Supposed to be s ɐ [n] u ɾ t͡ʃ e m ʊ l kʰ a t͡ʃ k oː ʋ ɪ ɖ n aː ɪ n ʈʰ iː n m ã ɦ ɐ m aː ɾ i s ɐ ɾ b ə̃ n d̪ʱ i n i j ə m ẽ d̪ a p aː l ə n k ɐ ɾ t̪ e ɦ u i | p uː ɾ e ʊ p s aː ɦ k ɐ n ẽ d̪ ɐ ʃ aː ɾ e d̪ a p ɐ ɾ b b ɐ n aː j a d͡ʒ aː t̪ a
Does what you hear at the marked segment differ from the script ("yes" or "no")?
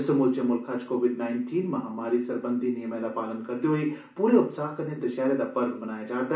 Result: yes